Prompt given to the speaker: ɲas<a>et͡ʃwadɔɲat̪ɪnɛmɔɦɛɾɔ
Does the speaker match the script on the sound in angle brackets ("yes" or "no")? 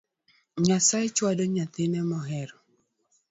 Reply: yes